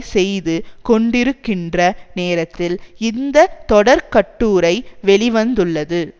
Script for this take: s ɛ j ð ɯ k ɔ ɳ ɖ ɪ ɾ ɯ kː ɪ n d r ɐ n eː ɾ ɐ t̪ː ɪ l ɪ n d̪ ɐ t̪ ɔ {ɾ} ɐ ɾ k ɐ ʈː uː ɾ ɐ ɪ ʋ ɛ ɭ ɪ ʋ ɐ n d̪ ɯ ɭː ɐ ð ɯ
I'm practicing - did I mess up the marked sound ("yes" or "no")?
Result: yes